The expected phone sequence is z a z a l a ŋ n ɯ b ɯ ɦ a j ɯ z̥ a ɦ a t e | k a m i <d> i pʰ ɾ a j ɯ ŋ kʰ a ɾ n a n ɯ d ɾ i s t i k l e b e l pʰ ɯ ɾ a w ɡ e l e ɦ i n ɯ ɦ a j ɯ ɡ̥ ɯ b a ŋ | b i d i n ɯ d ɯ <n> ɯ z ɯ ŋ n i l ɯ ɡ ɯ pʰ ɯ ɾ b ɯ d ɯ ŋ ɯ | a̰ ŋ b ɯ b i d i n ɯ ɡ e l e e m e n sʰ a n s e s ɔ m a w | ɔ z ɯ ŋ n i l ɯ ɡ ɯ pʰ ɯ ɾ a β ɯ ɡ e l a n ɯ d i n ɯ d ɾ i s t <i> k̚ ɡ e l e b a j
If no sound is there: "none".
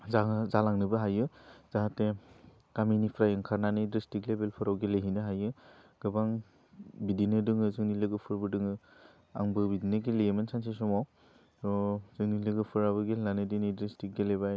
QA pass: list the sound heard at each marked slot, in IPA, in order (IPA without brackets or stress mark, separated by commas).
n, ŋ, i